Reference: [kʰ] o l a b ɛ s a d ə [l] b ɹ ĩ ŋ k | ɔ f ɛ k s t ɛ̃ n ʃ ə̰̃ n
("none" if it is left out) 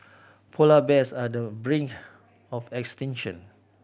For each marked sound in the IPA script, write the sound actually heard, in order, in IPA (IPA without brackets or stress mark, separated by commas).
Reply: pʰ, none